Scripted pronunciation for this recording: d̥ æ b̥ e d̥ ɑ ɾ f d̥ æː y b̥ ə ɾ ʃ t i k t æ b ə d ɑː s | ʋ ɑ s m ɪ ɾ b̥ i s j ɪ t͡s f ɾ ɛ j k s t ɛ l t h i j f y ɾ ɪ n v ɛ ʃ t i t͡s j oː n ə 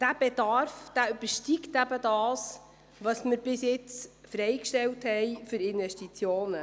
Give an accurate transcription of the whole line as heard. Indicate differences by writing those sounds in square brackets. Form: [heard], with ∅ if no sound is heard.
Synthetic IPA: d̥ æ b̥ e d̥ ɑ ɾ f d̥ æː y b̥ ə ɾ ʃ t i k t æ b ə d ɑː s | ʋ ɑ s m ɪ ɾ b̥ [ɪ] s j ɪ t͡s f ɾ ɛ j k [ʃ] t ɛ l t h [ɛ] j f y ɾ ɪ n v ɛ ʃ t i t͡s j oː n ə